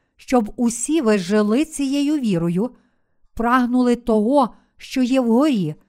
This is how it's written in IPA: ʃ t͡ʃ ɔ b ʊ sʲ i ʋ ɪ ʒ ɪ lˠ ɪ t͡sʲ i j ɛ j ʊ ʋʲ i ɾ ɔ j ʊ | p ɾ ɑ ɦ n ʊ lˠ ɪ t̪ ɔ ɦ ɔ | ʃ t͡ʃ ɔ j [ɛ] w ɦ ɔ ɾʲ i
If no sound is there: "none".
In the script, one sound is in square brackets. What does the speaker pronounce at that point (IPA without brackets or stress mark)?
ɛ